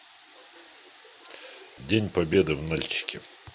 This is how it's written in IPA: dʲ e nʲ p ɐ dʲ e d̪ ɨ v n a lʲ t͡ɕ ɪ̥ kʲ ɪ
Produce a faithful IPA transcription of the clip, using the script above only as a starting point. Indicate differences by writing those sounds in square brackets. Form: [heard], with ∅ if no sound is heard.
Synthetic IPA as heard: dʲ e nʲ p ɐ [bʲ] e d̪ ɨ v n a lʲ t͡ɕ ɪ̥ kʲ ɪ

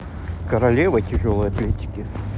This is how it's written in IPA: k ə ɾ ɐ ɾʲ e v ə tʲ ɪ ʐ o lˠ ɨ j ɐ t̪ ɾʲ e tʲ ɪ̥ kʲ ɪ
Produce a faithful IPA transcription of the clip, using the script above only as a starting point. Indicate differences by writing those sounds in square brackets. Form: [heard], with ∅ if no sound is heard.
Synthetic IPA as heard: k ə ɾ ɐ [lʲ] e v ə tʲ ɪ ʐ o lˠ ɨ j ɐ t̪ [lʲ] e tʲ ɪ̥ kʲ ɪ

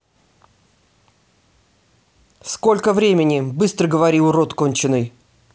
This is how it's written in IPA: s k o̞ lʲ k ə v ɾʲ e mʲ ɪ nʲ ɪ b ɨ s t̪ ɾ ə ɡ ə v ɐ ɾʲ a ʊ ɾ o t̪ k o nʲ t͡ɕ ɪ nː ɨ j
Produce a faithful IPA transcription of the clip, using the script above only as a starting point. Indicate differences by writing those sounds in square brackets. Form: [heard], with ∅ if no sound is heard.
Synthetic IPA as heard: s k o̞ lʲ k ə v ɾʲ e mʲ ɪ nʲ ɪ b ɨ s t̪ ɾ ə ɡ ə v ɐ ɾʲ [i] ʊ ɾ o t̪ k o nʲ t͡ɕ ɪ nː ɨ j

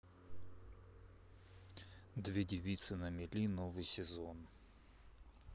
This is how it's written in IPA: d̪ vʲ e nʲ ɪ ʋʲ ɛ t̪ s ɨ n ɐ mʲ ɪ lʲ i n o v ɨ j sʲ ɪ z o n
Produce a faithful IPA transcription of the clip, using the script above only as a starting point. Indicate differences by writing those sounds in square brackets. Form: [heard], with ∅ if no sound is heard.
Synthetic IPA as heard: d̪ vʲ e [dʲ] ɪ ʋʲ [i] t̪ s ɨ n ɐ mʲ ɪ lʲ i n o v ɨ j sʲ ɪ z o n

